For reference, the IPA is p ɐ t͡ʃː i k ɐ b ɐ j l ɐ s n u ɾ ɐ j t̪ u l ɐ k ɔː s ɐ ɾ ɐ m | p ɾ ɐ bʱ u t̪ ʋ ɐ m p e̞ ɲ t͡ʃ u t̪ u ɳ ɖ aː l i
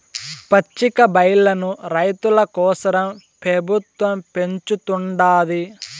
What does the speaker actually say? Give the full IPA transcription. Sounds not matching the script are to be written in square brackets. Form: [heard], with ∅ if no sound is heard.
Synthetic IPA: p ɐ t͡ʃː i k ɐ b ɐ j l ɐ [∅] n u ɾ ɐ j t̪ u l ɐ k ɔː s ɐ ɾ ɐ m | p ɾ ɐ bʱ u t̪ ʋ ɐ m p e̞ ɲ t͡ʃ u t̪ u ɳ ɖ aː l i